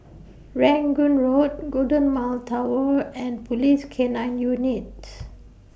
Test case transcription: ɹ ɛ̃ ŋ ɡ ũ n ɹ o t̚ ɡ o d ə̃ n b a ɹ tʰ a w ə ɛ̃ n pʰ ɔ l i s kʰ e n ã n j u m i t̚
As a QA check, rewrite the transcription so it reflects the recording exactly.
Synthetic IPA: ɹ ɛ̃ ŋ ɡ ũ n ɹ o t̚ ɡ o d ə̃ n m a l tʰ a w ə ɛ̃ n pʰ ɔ l i s kʰ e n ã n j u n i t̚